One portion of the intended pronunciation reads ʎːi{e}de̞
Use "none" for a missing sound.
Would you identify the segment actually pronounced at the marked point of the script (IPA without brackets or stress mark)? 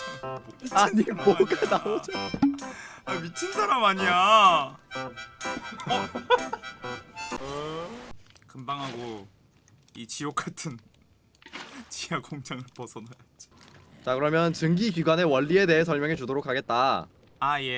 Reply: e